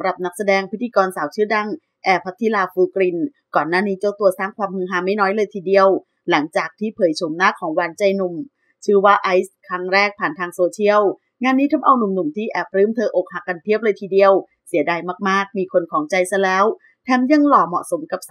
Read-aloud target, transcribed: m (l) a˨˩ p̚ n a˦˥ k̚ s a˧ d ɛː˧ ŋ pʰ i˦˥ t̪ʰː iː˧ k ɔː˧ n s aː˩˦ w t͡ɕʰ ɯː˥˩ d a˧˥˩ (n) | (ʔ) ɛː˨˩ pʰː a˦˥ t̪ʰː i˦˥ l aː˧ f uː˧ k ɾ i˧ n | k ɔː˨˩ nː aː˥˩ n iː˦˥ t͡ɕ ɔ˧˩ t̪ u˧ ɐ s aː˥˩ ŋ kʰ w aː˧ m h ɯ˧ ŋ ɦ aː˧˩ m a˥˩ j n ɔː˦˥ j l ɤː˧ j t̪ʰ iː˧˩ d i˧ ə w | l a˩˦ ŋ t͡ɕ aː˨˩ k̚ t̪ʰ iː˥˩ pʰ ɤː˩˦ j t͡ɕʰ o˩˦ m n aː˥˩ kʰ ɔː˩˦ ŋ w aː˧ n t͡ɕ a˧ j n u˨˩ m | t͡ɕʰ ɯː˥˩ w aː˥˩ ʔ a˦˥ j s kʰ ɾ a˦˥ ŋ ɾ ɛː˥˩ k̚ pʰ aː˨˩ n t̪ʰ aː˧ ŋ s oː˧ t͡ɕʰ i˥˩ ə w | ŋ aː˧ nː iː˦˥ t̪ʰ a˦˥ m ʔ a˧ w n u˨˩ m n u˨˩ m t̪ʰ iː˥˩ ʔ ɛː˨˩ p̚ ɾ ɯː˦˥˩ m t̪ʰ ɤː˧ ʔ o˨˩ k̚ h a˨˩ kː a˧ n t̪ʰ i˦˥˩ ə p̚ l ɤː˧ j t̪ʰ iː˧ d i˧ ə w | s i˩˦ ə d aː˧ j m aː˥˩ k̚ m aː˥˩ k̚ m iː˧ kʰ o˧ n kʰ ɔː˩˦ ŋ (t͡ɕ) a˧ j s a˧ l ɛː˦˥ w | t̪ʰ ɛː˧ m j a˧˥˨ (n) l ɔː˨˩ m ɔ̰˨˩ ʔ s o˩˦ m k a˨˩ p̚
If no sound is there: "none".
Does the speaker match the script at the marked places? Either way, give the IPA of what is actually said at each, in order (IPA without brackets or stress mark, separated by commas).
ɾ, ŋ, ʔ, t͡ɕ, ŋ